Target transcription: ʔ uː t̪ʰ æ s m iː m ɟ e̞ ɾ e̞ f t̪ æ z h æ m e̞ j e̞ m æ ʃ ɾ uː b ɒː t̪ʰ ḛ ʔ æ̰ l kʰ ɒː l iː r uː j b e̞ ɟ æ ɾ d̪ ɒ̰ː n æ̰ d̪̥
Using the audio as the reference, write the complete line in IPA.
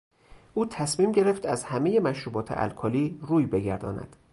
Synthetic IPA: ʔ uː t̪ʰ æ s m iː m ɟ e̞ ɾ e̞ f t̪ æ z h æ m e̞ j e̞ m æ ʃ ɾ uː b ɒː t̪ʰ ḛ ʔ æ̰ l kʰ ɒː l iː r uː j b e̞ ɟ æ ɾ d̪ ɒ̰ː n æ̰ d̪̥